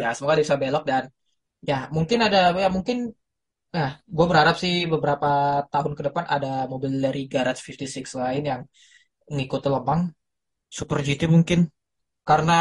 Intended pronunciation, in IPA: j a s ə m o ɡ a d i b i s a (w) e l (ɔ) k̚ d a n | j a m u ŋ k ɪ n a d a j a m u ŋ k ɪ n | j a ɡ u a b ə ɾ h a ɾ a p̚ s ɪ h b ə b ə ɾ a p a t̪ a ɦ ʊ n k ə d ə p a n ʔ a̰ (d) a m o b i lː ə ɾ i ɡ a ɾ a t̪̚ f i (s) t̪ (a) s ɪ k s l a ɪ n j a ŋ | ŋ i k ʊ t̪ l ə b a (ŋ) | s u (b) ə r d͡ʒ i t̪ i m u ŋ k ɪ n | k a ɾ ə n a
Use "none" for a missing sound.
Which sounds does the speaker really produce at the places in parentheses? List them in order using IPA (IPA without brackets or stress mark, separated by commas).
b, ɔ, d, f, i, ŋ, p